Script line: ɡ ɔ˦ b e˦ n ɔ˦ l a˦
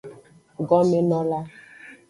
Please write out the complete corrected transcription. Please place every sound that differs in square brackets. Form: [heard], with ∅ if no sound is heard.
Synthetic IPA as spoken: ɡ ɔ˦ [m] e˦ n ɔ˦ l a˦